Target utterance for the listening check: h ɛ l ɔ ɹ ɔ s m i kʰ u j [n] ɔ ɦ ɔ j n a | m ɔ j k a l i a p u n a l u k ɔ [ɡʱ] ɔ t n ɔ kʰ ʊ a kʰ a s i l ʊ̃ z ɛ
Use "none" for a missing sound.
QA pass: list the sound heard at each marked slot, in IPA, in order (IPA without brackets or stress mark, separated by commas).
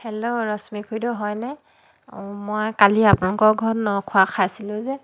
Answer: d, ɡʱ